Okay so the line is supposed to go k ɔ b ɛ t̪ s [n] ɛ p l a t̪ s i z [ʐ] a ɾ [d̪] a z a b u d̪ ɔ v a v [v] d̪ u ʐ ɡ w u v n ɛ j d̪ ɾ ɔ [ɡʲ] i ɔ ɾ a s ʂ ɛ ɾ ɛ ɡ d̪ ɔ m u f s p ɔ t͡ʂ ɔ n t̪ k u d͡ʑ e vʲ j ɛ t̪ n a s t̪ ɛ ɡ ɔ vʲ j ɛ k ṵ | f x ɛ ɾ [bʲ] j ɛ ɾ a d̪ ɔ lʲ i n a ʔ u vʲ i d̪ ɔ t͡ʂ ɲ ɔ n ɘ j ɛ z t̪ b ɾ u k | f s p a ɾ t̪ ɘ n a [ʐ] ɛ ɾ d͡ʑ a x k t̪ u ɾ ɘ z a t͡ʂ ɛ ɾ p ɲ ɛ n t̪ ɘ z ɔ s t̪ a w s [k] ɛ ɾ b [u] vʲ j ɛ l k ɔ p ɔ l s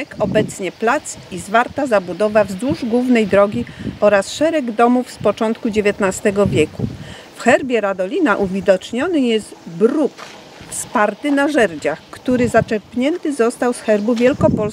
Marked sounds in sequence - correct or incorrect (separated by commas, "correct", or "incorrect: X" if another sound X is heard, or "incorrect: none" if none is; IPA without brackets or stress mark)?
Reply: incorrect: ɲ, incorrect: v, incorrect: t̪, incorrect: z, correct, correct, correct, incorrect: x, correct